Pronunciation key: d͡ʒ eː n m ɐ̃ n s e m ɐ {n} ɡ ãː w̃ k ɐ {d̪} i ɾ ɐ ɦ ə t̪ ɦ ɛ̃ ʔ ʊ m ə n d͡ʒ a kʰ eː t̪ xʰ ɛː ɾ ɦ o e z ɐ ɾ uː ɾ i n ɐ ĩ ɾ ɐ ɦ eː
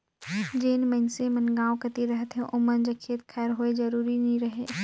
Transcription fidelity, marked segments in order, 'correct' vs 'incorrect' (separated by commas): correct, incorrect